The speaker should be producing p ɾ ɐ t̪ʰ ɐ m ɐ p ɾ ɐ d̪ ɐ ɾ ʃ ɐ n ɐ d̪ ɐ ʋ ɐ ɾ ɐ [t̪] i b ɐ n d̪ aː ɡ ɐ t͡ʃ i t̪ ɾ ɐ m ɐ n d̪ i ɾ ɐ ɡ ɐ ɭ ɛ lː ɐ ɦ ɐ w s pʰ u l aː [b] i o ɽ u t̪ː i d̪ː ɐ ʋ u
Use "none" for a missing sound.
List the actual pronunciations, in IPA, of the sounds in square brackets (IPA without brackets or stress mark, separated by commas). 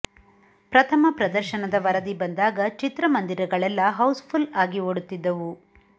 d̪, ɡ